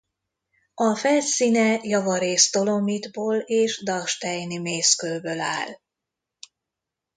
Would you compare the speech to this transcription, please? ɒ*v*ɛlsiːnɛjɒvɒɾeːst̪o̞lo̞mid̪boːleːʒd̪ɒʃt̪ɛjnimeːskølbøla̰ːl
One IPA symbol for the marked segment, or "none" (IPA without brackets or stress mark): f